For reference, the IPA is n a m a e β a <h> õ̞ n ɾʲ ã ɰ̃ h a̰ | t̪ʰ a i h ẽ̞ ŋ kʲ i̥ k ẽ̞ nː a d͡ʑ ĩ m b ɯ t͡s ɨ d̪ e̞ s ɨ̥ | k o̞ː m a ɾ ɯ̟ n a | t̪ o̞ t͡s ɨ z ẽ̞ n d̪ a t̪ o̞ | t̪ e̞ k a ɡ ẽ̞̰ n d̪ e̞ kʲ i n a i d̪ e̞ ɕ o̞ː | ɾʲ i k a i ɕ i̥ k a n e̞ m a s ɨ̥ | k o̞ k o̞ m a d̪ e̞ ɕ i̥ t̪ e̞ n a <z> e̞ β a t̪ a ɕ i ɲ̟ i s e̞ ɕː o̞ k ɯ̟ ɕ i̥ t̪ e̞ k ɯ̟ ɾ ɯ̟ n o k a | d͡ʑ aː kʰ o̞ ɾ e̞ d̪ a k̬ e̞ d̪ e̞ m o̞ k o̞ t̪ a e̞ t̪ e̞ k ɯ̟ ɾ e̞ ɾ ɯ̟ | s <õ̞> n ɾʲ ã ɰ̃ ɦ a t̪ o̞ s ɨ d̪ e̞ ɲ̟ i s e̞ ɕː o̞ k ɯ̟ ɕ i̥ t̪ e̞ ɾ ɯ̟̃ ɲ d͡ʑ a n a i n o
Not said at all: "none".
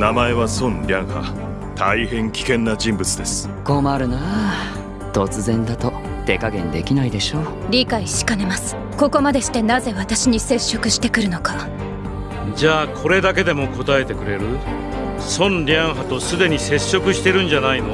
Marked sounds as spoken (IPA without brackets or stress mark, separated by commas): s, z, õ̞